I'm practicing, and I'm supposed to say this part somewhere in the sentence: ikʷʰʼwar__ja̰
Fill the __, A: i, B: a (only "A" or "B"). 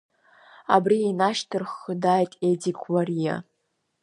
A